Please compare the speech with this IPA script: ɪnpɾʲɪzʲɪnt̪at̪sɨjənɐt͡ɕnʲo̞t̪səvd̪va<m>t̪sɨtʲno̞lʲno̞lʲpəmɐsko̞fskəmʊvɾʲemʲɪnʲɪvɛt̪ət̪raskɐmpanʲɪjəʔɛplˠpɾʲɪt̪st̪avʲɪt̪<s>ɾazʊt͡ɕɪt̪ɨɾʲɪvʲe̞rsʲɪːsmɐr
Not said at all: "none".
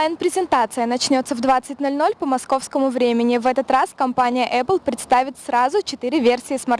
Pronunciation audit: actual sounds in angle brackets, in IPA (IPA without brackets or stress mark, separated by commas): none, s